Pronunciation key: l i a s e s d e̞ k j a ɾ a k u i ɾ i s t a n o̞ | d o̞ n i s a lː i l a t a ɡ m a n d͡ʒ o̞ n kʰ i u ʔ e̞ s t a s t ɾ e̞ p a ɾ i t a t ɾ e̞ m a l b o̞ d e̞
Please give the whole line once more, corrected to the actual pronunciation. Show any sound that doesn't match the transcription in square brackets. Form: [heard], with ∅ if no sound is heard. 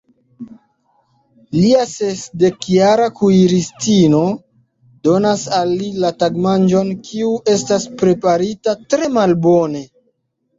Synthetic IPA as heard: l i a s e s d e̞ k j a ɾ a k u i ɾ i s t [i] n o̞ | d o̞ n [a] s a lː i l a t a ɡ m a n d͡ʒ o̞ n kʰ i u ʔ e̞ s t a s [p] ɾ e̞ p a ɾ i t a t ɾ e̞ m a l b o̞ [n] e̞